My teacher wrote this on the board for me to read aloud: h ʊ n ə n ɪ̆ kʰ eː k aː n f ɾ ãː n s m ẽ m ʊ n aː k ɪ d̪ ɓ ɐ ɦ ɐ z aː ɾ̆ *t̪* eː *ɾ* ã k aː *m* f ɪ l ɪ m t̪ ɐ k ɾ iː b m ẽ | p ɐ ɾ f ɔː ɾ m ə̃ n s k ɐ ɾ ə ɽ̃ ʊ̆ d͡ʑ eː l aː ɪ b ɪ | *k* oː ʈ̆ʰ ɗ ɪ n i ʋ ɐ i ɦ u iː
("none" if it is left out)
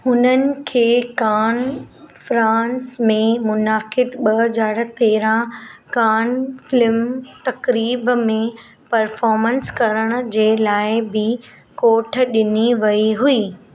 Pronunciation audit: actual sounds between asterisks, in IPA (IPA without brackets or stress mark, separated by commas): t̪, ɾ, n, k